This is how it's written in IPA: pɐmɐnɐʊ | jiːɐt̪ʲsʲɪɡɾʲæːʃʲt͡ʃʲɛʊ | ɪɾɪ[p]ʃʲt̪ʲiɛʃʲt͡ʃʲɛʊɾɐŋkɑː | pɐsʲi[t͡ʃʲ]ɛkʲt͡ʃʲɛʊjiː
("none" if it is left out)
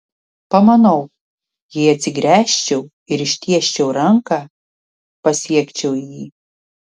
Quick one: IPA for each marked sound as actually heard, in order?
none, none

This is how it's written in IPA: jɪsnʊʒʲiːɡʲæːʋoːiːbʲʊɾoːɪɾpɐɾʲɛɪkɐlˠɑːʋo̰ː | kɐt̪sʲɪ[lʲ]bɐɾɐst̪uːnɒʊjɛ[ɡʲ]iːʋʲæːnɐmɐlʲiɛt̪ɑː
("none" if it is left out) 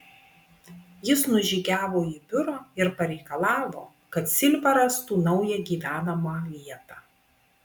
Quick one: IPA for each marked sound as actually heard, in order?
lʲ, ɡʲ

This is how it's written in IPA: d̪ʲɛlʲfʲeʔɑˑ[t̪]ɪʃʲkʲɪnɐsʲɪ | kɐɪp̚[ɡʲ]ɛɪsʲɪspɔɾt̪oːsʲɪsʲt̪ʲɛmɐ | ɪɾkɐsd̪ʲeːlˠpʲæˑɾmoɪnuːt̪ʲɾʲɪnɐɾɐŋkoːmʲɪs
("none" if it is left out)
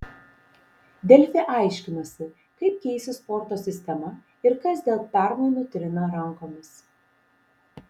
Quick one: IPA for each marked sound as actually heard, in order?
none, kʲ

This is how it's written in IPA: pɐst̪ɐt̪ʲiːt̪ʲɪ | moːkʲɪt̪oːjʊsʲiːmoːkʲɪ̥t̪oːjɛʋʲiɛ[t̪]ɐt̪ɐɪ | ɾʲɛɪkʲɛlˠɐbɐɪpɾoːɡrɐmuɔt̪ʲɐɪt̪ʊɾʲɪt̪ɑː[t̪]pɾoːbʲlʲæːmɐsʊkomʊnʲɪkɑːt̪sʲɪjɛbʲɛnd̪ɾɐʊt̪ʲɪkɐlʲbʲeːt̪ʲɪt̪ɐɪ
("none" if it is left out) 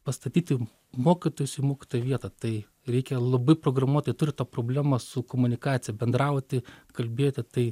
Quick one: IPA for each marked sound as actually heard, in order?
t̪, none

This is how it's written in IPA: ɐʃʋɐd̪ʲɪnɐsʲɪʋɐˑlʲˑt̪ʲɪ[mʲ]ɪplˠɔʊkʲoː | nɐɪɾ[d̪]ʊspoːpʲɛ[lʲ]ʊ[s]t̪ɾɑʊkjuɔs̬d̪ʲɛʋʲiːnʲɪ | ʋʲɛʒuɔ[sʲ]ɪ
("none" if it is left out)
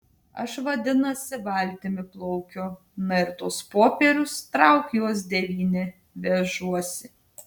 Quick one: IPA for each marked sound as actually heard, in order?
mʲ, t̪, ɾʲ, s, sʲ

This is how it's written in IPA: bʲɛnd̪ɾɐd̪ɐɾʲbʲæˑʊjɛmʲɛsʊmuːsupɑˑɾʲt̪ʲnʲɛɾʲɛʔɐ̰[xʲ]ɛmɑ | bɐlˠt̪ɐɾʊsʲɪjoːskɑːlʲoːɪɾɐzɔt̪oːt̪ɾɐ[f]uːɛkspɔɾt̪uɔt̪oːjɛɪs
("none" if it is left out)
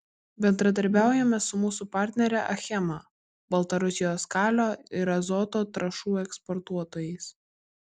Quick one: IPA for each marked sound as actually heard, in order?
xʲ, ʃ

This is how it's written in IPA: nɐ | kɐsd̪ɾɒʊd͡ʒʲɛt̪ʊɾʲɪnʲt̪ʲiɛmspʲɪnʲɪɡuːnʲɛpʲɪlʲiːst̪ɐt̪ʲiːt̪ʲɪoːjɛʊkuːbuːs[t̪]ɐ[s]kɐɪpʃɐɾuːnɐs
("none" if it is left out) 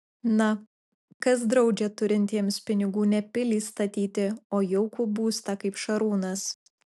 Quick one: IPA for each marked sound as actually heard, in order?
t̪, none

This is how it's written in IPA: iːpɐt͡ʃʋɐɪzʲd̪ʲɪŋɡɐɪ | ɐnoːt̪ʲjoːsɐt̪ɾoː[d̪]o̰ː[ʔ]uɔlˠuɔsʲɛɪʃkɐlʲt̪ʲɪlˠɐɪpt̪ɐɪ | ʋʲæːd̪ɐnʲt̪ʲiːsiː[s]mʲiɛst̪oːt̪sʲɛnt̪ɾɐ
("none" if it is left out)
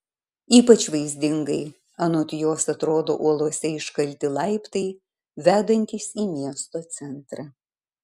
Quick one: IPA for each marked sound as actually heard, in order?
d̪, ʔ, none

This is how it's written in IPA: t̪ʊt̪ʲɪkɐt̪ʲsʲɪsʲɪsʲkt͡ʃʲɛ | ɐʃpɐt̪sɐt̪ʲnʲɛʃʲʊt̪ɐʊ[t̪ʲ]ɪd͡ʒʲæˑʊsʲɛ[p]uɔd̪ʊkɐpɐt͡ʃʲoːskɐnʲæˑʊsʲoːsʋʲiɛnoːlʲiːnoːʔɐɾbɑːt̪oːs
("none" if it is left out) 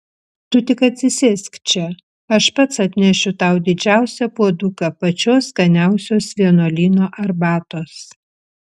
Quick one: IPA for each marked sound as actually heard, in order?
d̪ʲ, p

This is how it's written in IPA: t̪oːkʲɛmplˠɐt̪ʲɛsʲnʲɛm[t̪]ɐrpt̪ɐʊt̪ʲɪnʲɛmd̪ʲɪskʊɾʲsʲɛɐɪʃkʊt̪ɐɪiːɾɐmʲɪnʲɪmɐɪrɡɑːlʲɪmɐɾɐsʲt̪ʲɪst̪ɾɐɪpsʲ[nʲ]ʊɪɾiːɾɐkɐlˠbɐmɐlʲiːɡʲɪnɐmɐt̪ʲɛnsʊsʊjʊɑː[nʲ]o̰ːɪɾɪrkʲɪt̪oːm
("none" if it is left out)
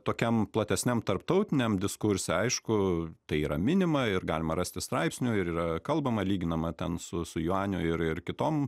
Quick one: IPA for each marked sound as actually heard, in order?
t̪, nʲ, nʲ

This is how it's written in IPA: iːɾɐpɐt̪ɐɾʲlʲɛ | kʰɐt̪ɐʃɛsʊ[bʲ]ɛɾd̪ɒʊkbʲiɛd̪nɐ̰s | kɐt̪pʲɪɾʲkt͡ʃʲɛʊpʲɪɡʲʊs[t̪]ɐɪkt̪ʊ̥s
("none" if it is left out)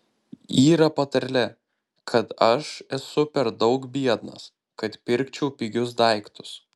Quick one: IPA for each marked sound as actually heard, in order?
pʲ, d̪

